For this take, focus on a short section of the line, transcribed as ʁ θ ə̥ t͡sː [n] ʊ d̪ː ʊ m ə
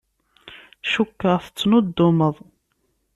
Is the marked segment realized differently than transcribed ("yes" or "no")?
no